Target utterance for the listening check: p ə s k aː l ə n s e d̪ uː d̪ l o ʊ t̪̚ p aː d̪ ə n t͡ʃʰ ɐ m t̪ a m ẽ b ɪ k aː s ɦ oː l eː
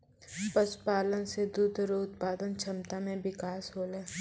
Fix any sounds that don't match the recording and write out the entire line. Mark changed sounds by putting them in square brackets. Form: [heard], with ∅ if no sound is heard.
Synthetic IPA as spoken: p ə s [p] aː l ə n s e d̪ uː d̪ [ɾ] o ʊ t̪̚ p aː d̪ ə n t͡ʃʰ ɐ m t̪ a m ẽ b ɪ k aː s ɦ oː l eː